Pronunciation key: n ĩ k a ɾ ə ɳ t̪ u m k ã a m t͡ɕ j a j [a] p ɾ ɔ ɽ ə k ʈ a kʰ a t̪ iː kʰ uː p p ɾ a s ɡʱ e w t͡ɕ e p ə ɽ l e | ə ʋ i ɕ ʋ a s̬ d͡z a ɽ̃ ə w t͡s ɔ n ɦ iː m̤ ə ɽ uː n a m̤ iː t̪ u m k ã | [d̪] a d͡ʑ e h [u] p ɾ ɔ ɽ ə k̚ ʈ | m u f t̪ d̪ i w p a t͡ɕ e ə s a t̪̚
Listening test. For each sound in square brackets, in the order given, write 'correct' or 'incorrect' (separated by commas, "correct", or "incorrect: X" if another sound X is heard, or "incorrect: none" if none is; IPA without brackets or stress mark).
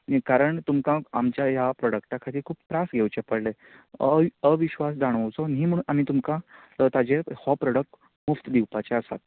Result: correct, incorrect: t̪, incorrect: ɔ